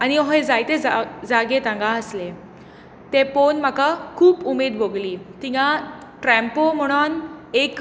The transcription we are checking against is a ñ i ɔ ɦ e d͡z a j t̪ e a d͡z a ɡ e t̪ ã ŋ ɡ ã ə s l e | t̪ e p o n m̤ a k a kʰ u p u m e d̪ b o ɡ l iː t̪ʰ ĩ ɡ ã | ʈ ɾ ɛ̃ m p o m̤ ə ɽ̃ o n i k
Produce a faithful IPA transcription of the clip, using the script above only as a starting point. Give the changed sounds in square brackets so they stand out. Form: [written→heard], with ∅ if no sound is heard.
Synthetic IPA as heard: a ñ i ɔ ɦ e d͡z a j t̪ e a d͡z a ɡ e t̪ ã ŋ ɡ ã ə s l e | t̪ e p o n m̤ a k a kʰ [u→uː] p u m e d̪ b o ɡ l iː [t̪ʰ→t̪] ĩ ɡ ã | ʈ ɾ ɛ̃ m p o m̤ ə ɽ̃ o n [i→e] k